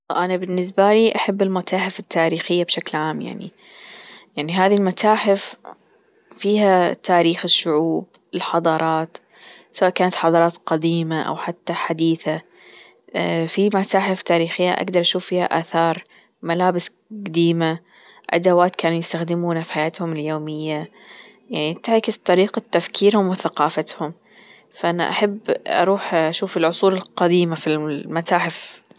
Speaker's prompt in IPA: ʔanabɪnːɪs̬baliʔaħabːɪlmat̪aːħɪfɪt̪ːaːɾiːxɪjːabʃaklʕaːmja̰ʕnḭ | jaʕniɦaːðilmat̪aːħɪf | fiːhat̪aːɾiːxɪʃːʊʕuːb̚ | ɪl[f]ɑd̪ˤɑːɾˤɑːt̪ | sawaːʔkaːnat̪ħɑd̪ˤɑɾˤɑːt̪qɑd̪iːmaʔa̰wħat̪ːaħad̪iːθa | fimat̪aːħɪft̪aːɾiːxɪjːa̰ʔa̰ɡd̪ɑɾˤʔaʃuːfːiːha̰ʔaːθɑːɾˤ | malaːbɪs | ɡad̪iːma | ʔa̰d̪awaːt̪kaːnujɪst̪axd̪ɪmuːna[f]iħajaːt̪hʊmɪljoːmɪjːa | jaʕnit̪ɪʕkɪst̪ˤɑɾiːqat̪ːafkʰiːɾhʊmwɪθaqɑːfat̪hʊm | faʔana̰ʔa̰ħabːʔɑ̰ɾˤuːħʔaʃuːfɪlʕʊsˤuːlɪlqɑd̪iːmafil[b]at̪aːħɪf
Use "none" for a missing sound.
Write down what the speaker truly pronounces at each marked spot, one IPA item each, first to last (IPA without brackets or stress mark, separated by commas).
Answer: ħ, f, m